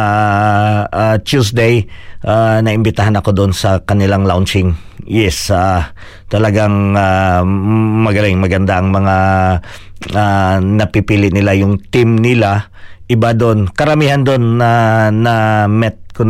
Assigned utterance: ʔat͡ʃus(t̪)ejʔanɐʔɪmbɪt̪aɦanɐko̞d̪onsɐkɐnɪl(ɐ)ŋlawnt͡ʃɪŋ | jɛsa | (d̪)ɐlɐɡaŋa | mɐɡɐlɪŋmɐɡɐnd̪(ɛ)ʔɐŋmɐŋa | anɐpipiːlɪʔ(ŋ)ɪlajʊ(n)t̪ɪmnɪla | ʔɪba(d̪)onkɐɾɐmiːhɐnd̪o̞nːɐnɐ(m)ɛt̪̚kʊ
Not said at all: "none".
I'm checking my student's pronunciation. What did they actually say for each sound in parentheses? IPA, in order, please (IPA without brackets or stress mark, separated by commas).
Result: d̪, a, t̪, a, n, ŋ, d̪, m